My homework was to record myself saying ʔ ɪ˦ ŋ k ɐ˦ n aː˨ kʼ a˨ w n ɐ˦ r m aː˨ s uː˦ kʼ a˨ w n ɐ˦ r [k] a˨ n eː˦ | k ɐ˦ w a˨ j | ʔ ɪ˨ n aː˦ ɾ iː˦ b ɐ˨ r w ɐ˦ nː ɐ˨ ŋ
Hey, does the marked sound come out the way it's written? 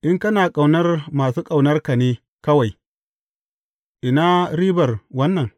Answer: yes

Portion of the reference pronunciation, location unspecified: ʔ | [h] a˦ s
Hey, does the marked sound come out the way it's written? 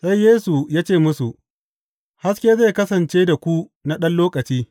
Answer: yes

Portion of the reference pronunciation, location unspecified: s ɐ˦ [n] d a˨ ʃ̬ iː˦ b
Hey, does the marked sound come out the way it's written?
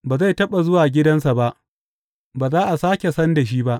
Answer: yes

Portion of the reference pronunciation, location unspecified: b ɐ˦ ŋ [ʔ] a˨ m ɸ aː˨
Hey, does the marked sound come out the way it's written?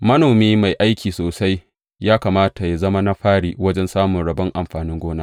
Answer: yes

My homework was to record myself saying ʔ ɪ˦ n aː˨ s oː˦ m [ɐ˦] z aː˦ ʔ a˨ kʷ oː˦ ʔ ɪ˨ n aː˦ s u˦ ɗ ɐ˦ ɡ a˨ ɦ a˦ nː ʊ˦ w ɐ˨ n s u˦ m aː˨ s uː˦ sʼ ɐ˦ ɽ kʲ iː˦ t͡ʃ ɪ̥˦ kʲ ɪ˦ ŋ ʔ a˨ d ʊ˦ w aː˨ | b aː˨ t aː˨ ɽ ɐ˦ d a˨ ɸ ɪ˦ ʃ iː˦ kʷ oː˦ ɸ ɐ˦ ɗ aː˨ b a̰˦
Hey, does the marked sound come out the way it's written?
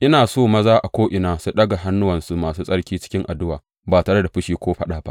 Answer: yes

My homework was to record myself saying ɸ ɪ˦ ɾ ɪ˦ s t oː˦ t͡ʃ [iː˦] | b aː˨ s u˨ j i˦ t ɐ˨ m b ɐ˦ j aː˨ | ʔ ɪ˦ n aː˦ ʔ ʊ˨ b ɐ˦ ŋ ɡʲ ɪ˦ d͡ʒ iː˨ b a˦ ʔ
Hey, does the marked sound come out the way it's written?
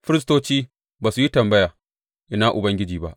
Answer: yes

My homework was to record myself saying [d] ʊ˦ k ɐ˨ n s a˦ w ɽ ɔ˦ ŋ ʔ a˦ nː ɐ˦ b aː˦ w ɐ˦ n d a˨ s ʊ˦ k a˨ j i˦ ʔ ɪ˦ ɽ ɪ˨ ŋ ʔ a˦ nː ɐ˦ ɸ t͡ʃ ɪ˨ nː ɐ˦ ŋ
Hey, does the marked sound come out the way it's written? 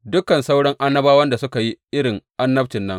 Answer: yes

